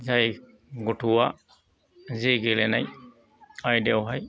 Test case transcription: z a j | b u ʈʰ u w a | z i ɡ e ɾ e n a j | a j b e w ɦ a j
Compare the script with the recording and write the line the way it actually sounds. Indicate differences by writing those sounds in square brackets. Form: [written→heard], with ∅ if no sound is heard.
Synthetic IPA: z a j | [b→ɡ] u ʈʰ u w a | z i ɡ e [ɾ→l] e n a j | a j [b→d] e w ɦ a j